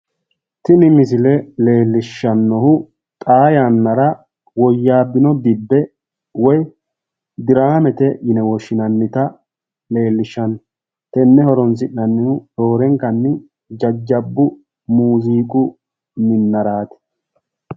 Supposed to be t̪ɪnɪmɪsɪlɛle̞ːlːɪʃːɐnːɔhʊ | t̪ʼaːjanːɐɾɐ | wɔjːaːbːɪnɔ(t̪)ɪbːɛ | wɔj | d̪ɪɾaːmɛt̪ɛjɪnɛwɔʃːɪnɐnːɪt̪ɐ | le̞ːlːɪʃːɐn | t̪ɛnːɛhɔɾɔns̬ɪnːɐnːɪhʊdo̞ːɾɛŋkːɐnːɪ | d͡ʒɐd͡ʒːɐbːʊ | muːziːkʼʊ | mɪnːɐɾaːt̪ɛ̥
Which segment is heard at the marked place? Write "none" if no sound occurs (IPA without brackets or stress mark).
d̪